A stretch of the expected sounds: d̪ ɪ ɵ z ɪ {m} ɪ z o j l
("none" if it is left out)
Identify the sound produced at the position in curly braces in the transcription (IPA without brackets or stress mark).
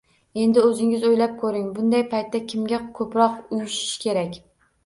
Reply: ŋ